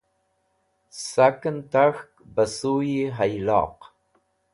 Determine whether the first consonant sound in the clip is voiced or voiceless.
voiceless